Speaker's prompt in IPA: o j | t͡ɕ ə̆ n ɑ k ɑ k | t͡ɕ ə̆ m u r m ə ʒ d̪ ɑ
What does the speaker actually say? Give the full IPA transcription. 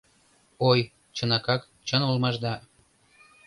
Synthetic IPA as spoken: o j | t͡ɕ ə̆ n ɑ k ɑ k | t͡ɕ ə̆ n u l m ɑ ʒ d̪ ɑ